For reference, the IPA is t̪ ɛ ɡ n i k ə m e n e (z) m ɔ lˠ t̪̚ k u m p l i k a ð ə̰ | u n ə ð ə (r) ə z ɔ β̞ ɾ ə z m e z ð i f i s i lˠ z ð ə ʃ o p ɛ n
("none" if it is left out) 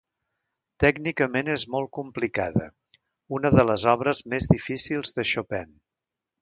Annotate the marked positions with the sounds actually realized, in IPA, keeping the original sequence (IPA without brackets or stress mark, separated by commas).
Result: z, l